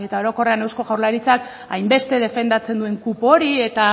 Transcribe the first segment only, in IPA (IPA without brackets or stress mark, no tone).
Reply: e̞